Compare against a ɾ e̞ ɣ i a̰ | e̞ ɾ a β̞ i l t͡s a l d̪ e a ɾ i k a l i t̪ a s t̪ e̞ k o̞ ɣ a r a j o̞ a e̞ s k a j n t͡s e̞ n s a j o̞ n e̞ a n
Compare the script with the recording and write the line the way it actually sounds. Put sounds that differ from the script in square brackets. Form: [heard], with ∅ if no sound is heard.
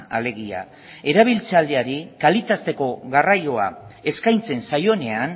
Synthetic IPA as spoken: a [l] e̞ ɣ i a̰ | e̞ ɾ a β̞ i l t͡s a l d̪ e a ɾ i k a l i t̪ a s t̪ e̞ k o̞ ɣ a r a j o̞ a e̞ s k a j n t͡s e̞ n s a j o̞ n e̞ a n